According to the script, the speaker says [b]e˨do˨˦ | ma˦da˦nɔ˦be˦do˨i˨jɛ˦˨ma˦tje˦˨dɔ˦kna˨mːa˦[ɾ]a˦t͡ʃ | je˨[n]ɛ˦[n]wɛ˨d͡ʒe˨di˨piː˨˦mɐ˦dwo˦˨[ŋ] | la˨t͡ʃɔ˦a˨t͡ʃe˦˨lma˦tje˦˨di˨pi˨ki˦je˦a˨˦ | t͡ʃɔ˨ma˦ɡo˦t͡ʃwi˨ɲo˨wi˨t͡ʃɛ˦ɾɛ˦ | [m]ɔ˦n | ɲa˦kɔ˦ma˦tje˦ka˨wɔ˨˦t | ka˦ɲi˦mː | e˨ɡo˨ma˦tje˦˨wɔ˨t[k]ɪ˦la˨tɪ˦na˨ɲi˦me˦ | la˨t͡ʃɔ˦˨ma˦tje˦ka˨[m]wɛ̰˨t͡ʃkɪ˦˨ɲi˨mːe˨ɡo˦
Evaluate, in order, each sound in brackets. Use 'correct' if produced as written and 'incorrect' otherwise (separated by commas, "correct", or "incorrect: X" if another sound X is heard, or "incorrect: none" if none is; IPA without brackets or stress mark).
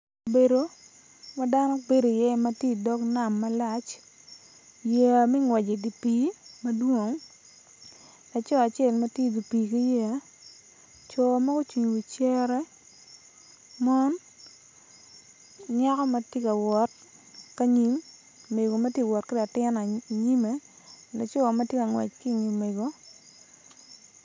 correct, incorrect: l, incorrect: m, incorrect: ŋ, correct, correct, correct, incorrect: ŋ